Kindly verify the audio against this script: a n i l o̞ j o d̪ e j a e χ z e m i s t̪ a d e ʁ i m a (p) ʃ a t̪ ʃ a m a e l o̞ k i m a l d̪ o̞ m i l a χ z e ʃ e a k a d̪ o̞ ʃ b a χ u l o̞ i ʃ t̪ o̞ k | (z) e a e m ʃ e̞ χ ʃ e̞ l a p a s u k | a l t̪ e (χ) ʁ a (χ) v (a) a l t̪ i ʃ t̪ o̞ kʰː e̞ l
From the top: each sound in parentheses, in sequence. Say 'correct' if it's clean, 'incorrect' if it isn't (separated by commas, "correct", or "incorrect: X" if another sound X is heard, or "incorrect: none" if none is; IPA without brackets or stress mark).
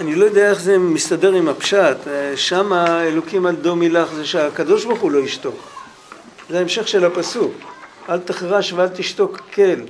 correct, correct, correct, incorrect: ʃ, incorrect: e